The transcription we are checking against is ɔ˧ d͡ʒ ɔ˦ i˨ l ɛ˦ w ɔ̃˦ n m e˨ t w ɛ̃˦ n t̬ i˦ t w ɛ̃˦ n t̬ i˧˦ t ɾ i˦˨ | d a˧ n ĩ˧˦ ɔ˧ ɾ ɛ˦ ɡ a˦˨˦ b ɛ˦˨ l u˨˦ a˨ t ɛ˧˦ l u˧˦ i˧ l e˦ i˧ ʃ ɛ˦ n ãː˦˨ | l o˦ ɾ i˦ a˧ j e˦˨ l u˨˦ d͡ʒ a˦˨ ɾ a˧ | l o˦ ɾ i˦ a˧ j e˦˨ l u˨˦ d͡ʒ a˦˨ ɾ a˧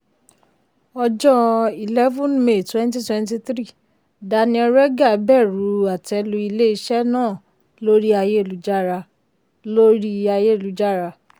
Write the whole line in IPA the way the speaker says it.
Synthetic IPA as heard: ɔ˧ d͡ʒ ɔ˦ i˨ l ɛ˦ v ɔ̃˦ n m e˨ t w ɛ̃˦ n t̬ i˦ t w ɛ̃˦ n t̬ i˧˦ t ɾ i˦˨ | d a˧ n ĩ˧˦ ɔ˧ ɾ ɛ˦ ɡ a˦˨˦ b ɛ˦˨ ɾ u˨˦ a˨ t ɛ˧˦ l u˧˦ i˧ l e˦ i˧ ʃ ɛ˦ n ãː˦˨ | l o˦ ɾ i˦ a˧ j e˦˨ l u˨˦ d͡ʒ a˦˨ ɾ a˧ | l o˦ ɾ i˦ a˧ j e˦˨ l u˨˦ d͡ʒ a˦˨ ɾ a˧